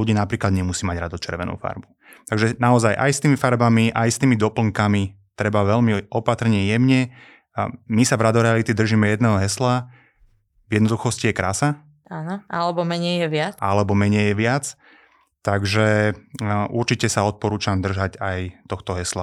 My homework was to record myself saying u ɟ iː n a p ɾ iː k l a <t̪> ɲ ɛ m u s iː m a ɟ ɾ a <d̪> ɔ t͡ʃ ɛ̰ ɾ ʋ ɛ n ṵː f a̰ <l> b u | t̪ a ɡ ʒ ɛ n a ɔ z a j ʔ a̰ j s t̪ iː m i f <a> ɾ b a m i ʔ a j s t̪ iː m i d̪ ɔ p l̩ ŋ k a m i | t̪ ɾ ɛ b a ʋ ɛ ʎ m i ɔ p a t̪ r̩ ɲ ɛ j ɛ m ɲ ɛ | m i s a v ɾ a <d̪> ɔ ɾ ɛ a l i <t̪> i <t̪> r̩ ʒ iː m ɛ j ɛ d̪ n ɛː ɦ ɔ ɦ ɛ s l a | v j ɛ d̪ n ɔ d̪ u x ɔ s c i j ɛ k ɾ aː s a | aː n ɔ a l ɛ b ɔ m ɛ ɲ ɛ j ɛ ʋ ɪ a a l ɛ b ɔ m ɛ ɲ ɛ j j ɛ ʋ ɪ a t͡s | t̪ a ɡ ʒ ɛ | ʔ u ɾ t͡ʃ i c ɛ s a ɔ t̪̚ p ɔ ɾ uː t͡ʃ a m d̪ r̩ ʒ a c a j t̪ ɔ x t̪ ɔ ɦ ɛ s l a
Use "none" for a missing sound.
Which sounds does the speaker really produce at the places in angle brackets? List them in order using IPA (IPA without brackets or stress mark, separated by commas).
d̪, d̪, ɾ, a, d̪, t̪, d̪